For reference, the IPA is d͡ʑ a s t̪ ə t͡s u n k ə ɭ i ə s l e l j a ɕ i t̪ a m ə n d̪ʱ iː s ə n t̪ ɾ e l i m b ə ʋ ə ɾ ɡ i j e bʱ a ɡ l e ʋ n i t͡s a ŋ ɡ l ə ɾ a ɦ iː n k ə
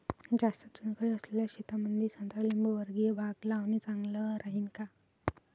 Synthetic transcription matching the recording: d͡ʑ a s t̪ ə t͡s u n k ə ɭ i ə s l e l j a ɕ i t̪ a m ə n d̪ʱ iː s ə n t̪ ɾ a l i m b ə ʋ ə ɾ ɡ i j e bʱ a ɡ l a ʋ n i t͡s a ŋ ɡ l ə ɾ a ɦ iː n k a